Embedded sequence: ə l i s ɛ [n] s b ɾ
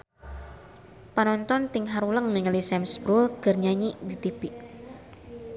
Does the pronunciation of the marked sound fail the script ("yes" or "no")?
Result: yes